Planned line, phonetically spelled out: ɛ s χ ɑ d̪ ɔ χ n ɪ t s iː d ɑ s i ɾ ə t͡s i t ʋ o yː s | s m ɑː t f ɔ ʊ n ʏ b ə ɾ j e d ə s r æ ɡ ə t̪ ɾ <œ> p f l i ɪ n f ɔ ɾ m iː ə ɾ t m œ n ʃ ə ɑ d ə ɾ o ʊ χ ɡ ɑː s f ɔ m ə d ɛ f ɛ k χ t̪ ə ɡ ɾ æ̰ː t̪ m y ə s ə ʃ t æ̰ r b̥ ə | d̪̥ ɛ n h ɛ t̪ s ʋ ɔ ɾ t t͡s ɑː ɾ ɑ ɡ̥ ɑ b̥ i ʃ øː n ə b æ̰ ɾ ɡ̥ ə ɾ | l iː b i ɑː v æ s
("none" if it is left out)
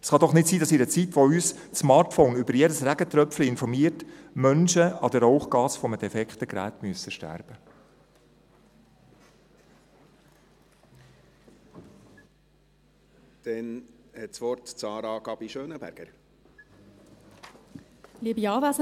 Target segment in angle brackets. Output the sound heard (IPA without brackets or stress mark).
œ